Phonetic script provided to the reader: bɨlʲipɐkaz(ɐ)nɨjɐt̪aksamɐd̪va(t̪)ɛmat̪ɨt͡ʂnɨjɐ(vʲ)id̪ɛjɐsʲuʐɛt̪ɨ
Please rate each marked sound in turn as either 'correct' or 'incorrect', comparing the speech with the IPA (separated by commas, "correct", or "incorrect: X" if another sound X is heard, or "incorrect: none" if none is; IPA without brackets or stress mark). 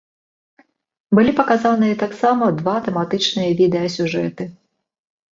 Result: incorrect: a, correct, correct